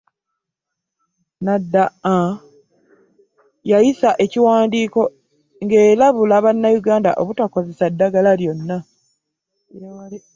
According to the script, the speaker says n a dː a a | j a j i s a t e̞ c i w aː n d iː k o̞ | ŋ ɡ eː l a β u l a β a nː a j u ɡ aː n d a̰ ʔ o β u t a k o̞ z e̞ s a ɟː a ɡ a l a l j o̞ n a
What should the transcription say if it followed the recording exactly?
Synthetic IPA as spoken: n a dː a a | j a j i s a ʔ e̞ c i w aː n d iː k o̞ | ŋ ɡ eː l a β u l a β a nː a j u ɡ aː n d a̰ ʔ o β u t a k o̞ z e̞ s a dː a ɡ a l a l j o̞ nː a